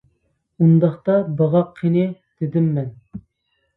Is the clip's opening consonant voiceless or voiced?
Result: voiced